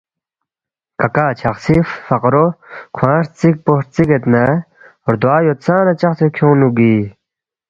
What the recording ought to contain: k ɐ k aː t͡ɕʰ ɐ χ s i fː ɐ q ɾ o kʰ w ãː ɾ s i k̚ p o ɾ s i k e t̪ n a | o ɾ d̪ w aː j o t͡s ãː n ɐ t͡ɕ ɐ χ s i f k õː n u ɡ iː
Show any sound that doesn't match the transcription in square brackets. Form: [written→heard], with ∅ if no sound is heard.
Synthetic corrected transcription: k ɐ k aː t͡ɕʰ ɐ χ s i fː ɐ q ɾ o kʰ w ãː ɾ [s→t͡s] i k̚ p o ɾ [s→t͡s] i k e t̪ n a | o ɾ d̪ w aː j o t͡s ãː n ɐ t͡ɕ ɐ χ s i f [k→kʰ] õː n u ɡ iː

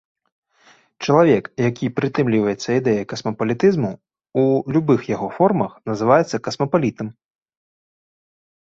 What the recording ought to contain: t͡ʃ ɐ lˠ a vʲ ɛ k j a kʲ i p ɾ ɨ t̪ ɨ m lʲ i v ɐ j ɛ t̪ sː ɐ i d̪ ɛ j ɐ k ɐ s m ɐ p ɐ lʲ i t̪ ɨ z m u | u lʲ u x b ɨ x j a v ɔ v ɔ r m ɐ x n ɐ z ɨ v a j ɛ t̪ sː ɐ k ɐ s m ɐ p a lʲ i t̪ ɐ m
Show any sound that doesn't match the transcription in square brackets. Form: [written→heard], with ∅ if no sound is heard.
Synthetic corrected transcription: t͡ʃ ɐ lˠ a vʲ ɛ k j a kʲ i p ɾ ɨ t̪ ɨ m lʲ i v ɐ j ɛ t̪ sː ɐ i d̪ ɛ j ɐ k ɐ s m ɐ p ɐ lʲ i t̪ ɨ z m u | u lʲ u [x→∅] b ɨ x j a [v→ɣ] ɔ [v→f] ɔ r m ɐ x n ɐ z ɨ v a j ɛ t̪ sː ɐ k ɐ s m ɐ p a lʲ i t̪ ɐ m

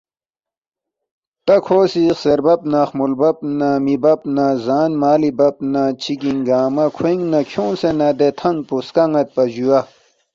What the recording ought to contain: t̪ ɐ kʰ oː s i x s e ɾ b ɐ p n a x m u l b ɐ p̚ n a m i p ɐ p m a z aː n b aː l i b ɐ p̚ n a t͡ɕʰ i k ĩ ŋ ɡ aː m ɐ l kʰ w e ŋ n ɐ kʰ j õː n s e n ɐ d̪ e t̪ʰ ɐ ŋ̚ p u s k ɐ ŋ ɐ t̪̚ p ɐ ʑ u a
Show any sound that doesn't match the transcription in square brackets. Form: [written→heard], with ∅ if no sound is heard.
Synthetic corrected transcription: t̪ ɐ kʰ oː s i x s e ɾ b ɐ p n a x m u l b ɐ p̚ n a m i [p→b] ɐ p [m→n] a z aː n [b→m] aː l i b ɐ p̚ n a t͡ɕʰ i k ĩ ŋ ɡ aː m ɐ [l→∅] kʰ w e ŋ n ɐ kʰ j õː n s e n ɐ d̪ e t̪ʰ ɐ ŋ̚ p u s k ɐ ŋ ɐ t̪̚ p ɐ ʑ u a

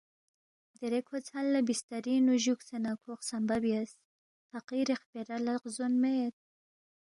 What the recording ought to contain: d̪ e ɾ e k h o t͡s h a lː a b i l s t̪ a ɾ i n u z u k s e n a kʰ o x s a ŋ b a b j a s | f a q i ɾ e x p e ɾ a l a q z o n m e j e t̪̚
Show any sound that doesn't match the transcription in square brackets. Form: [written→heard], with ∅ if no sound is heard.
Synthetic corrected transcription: d̪ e ɾ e k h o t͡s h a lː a b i [l→∅] s t̪ a ɾ i n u [z→ʒ] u k s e n a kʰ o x s a [ŋ→m] b a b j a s | f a q i ɾ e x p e ɾ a l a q z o n m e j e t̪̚

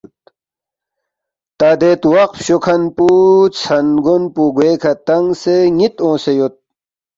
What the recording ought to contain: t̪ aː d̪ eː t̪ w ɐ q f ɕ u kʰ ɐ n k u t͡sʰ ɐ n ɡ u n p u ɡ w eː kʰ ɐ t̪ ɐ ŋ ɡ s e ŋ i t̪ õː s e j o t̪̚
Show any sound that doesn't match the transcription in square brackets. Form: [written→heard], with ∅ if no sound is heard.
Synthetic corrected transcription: t̪ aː d̪ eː t̪ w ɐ q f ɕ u kʰ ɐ n [k→p] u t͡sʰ ɐ n ɡ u n p u ɡ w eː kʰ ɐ t̪ ɐ ŋ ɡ s e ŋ i t̪ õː s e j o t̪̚

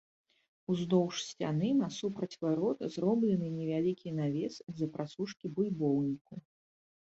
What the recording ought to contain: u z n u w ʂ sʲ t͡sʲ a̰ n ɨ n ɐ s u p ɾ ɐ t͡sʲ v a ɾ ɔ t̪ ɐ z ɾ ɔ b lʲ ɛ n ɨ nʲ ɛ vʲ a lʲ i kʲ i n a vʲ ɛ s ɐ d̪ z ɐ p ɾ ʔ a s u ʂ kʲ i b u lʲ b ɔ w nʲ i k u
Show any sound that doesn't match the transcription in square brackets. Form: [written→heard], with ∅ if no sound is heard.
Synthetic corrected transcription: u z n [u→ɔ] w ʂ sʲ t͡sʲ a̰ n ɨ n ɐ s u p ɾ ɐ t͡sʲ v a ɾ ɔ t̪ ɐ z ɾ ɔ b lʲ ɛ n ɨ nʲ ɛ vʲ a lʲ i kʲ i n a vʲ ɛ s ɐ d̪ z ɐ p ɾ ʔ a s u ʂ kʲ i b u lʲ b ɔ w nʲ i k u

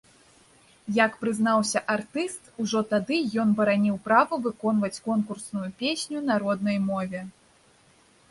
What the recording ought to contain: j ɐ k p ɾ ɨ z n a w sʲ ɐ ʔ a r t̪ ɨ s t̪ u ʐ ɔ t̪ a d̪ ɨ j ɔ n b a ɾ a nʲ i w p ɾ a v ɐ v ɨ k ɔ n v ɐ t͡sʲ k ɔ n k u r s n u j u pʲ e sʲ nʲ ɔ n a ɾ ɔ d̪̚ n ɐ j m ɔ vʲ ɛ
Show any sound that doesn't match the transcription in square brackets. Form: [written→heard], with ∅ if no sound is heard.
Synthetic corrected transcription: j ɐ k p ɾ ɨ z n a w sʲ ɐ ʔ a r t̪ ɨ s t̪ u ʐ ɔ t̪ a d̪ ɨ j ɔ n b [a→ɐ] ɾ a nʲ i w p ɾ a v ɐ v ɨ k ɔ n v ɐ t͡sʲ k ɔ n k u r s n u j u pʲ e sʲ nʲ [ɔ→u] n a ɾ ɔ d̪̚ n ɐ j m ɔ vʲ ɛ

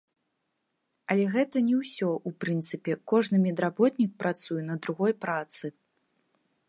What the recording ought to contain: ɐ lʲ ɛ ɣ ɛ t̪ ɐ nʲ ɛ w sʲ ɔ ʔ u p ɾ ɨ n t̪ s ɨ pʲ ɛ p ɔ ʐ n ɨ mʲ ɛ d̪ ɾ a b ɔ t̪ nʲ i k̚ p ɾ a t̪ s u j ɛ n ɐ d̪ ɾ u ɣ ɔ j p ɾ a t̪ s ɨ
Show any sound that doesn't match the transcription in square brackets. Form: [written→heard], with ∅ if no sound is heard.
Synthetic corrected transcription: ɐ lʲ ɛ ɣ ɛ t̪ ɐ nʲ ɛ w sʲ ɔ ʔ u p ɾ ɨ n t̪ s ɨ pʲ ɛ [p→k] ɔ ʐ n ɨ mʲ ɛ d̪ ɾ a b ɔ t̪ nʲ i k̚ p ɾ a t̪ s u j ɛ n ɐ d̪ ɾ u ɣ ɔ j p ɾ a t̪ s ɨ

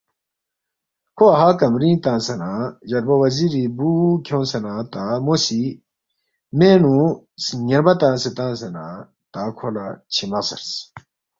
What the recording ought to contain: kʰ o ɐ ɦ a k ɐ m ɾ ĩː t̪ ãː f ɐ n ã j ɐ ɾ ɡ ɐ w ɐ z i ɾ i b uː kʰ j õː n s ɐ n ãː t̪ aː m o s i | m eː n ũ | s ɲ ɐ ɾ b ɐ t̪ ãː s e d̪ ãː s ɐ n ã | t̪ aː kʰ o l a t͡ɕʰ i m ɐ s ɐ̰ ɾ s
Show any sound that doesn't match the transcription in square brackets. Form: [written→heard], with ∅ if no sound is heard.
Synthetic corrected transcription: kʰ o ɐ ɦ a k ɐ m ɾ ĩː t̪ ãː [f→s] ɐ n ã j ɐ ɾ [ɡ→b] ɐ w ɐ z i ɾ i b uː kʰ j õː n s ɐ n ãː t̪ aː m o s i | m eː n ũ | s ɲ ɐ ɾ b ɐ t̪ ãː s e [d̪→t̪] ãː s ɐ n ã | t̪ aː kʰ o l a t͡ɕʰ i m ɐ s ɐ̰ ɾ s

